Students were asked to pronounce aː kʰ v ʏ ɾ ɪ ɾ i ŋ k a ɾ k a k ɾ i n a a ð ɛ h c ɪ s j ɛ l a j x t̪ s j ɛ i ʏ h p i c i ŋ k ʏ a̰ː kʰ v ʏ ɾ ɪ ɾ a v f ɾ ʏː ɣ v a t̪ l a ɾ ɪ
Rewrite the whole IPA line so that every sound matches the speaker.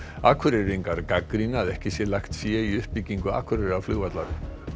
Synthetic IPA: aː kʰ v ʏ ɾ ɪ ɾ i ŋ k a ɾ k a k ɾ i n a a ð ɛ h c ɪ s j ɛ l a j x t̪ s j ɛ i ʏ h p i c i ŋ k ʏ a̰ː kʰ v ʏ ɾ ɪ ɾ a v f l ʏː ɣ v a t̪ l a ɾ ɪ